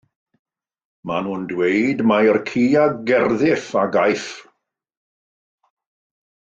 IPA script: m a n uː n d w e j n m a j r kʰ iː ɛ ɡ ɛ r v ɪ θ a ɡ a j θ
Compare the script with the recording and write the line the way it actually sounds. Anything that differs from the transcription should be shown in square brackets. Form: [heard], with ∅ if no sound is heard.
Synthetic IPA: m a n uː n d w e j [d] m a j r kʰ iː [a] ɡ ɛ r [ð] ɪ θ a ɡ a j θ